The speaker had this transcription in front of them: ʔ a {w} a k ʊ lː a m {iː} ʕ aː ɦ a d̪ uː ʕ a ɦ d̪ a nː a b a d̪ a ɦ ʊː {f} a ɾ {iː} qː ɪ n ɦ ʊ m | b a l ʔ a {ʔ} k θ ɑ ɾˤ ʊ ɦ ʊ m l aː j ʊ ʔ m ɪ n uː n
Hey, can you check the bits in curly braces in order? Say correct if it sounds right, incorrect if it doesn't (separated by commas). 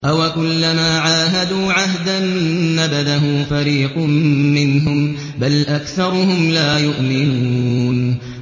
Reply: correct, incorrect, correct, correct, incorrect